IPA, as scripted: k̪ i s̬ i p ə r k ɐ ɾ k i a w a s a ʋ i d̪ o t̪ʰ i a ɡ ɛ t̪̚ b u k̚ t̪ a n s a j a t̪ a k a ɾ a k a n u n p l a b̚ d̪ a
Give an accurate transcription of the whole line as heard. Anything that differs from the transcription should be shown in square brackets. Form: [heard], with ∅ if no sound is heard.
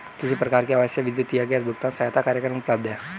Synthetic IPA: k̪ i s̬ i p ə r k [a] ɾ k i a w a s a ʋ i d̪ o [t̪] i a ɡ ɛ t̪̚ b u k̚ t̪ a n s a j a t̪ a k a ɾ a k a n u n p l a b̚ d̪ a

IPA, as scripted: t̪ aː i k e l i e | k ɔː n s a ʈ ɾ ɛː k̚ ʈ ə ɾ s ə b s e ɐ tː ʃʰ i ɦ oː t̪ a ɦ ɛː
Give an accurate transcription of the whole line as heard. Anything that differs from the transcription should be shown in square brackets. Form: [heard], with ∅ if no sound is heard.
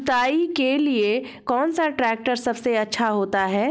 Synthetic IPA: t̪ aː i k e l i e | k ɔː n s a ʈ ɾ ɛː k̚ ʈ ə ɾ s [ɐ] b s e ɐ tː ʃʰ [a] ɦ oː t̪ a ɦ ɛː

